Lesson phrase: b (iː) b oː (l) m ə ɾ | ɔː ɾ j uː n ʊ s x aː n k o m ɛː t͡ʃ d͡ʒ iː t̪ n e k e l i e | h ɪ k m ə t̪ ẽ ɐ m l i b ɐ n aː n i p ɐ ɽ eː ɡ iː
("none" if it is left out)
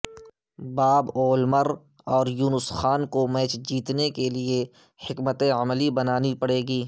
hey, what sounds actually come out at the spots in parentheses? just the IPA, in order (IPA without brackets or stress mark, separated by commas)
aː, l